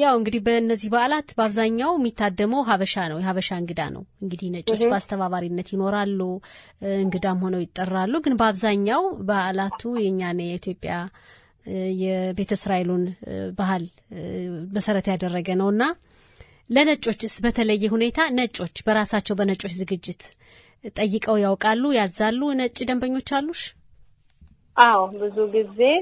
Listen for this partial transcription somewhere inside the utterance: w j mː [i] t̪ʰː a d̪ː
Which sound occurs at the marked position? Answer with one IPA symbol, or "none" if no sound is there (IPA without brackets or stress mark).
i